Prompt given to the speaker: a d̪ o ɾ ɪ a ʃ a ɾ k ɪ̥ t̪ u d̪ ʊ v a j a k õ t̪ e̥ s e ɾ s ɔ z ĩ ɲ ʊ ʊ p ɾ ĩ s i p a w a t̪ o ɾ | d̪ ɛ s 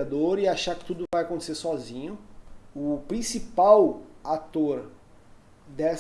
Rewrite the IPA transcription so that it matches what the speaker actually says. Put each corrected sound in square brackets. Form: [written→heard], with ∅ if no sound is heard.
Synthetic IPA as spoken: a d̪ o ɾ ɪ a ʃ a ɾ k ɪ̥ t̪ u d̪ ʊ v a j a k õ t̪ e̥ s e ɾ s ɔ z ĩ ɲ ʊ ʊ p ɾ ĩ s i p a w a t̪ o ɾ | d̪ ɛ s

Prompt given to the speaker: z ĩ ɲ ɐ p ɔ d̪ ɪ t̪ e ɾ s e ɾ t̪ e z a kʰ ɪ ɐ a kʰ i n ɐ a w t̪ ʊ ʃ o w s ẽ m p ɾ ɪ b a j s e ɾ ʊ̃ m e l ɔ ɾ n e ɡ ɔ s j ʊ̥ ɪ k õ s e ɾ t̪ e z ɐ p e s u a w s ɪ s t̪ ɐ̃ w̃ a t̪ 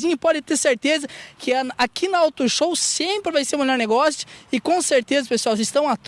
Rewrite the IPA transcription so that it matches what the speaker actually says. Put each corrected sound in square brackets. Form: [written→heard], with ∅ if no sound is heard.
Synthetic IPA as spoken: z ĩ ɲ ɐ p ɔ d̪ ɪ t̪ e ɾ s e ɾ t̪ e z [a→ɐ] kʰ ɪ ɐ a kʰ i n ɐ a w t̪ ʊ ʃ o w s ẽ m p ɾ ɪ [b→v] a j s e ɾ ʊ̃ m e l ɔ ɾ n e ɡ ɔ s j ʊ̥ ɪ k õ s e ɾ t̪ e z ɐ p e s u a w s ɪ s t̪ ɐ̃ w̃ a t̪

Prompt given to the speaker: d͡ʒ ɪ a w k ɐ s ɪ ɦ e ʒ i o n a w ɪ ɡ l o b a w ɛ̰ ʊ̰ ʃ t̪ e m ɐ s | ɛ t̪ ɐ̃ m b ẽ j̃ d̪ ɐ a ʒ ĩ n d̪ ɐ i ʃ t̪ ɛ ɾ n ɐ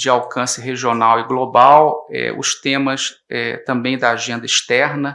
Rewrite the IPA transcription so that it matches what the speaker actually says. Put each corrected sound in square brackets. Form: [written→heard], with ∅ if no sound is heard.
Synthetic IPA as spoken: d͡ʒ ɪ a w k [ɐ→ɐ̃] s ɪ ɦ e ʒ i o n a w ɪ ɡ l o b a w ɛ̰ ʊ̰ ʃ t̪ [e→ẽ] m ɐ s | ɛ t̪ ɐ̃ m b ẽ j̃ d̪ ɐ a ʒ [ĩ→ẽ] n d̪ ɐ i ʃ t̪ ɛ ɾ n ɐ

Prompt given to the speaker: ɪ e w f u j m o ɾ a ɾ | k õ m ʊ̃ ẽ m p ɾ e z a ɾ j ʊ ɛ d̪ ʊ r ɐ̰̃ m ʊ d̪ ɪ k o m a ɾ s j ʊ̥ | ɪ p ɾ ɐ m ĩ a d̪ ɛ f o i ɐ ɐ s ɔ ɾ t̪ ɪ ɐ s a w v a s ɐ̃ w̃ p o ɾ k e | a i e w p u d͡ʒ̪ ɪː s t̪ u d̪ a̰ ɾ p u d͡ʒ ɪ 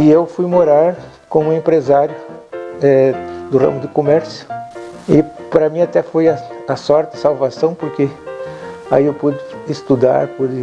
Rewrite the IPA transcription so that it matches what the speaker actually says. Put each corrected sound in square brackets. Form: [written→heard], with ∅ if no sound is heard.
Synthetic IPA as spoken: ɪ e w f u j m o ɾ a ɾ | k õ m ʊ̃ ẽ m p ɾ e z a ɾ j ʊ ɛ d̪ ʊ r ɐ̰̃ m ʊ d̪ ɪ k o m [a→ɛ] ɾ s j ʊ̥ | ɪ p ɾ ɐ m ĩ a [d̪→t̪] ɛ f o [i→j] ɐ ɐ s ɔ ɾ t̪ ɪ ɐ s a w v a s ɐ̃ w̃ p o ɾ k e | a i e w p u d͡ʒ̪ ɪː s t̪ u d̪ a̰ ɾ p u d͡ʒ ɪ

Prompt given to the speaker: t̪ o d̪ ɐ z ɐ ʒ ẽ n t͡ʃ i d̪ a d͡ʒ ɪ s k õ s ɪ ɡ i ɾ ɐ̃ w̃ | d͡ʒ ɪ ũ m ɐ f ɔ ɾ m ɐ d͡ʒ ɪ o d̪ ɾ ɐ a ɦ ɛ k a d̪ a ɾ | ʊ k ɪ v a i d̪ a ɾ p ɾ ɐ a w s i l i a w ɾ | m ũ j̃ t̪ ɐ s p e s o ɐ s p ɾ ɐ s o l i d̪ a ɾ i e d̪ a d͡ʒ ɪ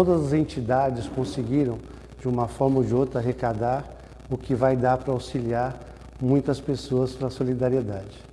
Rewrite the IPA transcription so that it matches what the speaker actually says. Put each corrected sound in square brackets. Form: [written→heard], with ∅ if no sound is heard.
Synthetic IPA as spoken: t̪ o d̪ ɐ z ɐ [ʒ→z] ẽ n t͡ʃ i d̪ a d͡ʒ ɪ s k õ s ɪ ɡ i ɾ ɐ̃ w̃ | d͡ʒ ɪ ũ m ɐ f ɔ ɾ m ɐ d͡ʒ ɪ o [d̪→t̪] ɾ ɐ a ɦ [ɛ→e] k a d̪ a ɾ | ʊ k ɪ v a [i→j] d̪ a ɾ p ɾ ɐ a w s i l i a [w→∅] ɾ | m ũ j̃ t̪ ɐ s p e s o ɐ s p ɾ ɐ s o l i d̪ a ɾ i e d̪ a d͡ʒ ɪ

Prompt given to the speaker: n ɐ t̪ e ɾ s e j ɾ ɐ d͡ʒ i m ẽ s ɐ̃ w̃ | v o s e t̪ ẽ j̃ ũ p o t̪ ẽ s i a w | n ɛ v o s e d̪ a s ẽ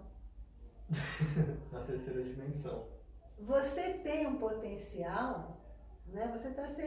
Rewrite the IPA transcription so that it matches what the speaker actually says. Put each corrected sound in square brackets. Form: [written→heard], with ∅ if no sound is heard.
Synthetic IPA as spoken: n ɐ t̪ e ɾ s e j ɾ ɐ d͡ʒ i m ẽ s ɐ̃ w̃ | v o s e t̪ ẽ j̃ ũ p o t̪ ẽ s i a w | n ɛ v o s e [d̪→t̪] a s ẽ

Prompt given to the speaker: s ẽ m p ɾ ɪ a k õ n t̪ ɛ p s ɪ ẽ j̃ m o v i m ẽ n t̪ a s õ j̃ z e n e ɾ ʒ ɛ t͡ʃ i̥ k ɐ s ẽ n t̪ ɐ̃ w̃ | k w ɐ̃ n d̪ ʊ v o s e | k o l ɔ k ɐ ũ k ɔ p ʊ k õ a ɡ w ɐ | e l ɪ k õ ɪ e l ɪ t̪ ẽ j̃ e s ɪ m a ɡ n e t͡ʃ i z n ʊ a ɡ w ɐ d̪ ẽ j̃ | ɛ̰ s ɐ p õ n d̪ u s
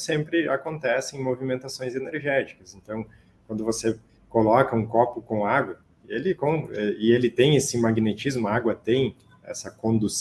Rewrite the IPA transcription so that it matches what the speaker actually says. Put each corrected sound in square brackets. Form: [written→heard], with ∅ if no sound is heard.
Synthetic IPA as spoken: s ẽ m p ɾ ɪ a k õ n t̪ ɛ [p→∅] s ɪ ẽ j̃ m o v i m ẽ n t̪ a s õ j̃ z e n e ɾ ʒ ɛ t͡ʃ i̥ k ɐ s ẽ n t̪ ɐ̃ w̃ | k w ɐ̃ n d̪ ʊ v o s e | k o l ɔ k ɐ ũ k ɔ p ʊ k õ a ɡ w ɐ | e l ɪ k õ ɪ e l ɪ t̪ ẽ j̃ e s ɪ m a ɡ n e t͡ʃ i z [n→m] ʊ a ɡ w ɐ [d̪→t̪] ẽ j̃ | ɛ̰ s ɐ [p→k] õ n d̪ u s

